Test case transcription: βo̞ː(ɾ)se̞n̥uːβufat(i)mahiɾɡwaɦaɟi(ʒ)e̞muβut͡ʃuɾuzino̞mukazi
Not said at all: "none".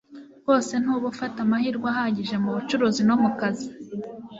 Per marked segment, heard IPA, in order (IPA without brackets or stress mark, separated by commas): none, a, ʒ